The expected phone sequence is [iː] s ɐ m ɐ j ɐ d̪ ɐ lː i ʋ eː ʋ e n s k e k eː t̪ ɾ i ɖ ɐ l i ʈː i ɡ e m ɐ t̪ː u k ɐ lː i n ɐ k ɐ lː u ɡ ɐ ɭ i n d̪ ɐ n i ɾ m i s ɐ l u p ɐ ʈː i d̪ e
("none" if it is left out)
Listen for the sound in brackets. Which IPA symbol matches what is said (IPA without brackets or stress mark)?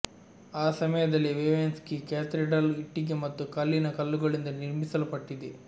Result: aː